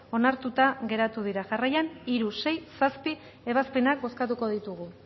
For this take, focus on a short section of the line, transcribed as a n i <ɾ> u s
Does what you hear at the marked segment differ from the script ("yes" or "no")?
no